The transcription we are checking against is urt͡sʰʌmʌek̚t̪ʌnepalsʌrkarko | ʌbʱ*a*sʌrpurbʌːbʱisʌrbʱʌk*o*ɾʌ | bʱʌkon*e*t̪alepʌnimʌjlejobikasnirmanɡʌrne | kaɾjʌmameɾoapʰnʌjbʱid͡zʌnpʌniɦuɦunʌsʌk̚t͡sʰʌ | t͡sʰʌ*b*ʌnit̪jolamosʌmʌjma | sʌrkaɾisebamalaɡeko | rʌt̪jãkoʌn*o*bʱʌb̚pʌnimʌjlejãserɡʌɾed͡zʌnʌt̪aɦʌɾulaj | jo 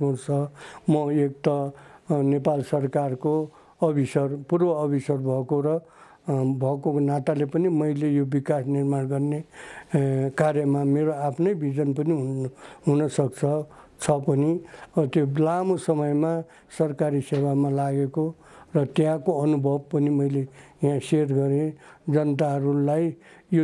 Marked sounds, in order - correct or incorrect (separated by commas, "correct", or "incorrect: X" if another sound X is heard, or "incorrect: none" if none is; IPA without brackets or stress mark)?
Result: incorrect: i, correct, incorrect: a, incorrect: p, incorrect: u